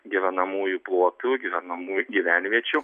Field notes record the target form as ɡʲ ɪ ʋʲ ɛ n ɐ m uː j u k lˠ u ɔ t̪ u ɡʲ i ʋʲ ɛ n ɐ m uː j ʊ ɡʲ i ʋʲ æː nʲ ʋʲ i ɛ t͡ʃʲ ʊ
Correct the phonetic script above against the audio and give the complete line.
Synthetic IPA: ɡʲ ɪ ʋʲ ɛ n ɐ m uː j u p lˠ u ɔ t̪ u ɡʲ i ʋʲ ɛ n ɐ m uː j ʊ ɡʲ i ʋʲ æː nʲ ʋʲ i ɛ t͡ʃʲ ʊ